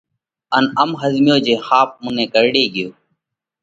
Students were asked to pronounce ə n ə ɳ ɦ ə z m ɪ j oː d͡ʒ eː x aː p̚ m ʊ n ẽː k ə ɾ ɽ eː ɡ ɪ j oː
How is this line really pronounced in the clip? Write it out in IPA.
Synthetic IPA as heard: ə n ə m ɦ ə z m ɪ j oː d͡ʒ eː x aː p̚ m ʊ n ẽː k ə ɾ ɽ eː ɡ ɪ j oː